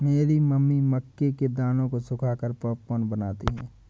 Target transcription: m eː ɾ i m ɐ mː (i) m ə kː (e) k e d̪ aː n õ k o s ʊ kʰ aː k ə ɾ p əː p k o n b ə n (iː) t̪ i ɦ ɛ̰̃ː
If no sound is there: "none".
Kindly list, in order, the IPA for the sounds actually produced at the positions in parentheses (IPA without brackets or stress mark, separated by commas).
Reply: i, e, aː